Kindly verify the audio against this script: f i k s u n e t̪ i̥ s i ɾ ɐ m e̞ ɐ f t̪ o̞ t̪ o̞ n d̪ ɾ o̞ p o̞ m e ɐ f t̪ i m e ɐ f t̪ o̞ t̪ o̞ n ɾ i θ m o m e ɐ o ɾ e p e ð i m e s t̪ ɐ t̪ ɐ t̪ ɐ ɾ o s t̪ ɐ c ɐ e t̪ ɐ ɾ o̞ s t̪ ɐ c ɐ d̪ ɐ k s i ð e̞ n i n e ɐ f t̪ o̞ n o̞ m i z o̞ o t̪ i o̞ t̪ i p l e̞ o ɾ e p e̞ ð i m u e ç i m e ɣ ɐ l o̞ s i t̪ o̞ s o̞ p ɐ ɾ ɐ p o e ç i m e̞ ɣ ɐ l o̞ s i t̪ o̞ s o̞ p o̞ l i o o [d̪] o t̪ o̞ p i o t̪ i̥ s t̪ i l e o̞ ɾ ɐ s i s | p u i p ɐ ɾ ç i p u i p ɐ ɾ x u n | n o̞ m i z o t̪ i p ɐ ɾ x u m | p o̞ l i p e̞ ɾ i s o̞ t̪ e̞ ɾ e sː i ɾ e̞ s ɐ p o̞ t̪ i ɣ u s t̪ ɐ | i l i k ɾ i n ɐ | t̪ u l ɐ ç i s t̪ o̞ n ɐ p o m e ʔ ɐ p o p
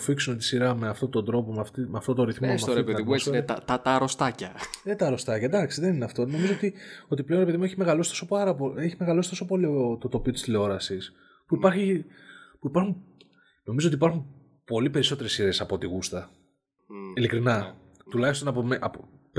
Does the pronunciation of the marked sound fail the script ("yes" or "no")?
yes